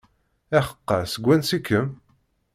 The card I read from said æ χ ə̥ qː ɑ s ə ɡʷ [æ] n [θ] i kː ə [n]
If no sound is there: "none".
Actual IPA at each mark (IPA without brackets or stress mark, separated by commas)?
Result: æ, s, m